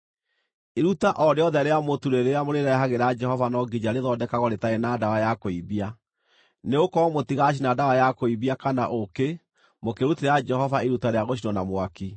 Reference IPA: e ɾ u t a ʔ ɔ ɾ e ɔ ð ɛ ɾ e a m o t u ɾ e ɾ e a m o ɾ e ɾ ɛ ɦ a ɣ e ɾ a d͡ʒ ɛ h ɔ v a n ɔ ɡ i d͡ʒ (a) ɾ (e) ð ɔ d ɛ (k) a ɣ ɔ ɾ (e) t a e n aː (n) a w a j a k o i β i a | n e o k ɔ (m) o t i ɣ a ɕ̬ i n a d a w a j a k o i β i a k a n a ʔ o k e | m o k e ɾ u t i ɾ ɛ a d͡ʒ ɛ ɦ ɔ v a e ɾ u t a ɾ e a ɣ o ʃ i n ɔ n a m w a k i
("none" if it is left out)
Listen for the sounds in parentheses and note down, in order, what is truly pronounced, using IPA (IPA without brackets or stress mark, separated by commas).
a, e, k, e, d, m